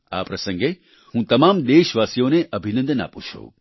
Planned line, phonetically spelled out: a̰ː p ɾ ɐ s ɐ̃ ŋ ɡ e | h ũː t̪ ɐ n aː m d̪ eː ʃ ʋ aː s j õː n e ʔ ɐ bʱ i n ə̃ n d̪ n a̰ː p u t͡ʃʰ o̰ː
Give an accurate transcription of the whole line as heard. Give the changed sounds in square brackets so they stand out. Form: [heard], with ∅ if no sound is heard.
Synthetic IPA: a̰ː p ɾ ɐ s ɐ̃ ŋ ɡ e | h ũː t̪ ɐ [m] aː m d̪ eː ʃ ʋ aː s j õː n e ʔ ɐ bʱ i n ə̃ n d̪ n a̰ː p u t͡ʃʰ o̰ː